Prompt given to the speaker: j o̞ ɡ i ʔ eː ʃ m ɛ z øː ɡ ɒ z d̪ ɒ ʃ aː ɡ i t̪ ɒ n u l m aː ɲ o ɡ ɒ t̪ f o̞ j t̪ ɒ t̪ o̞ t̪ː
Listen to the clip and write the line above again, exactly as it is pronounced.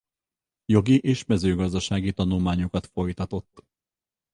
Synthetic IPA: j o̞ ɡ i ʔ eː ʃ m ɛ z øː ɡ ɒ z d̪ ɒ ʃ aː ɡ i t̪ ɒ n u l m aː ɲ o k ɒ t̪ f o̞ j t̪ ɒ t̪ o̞ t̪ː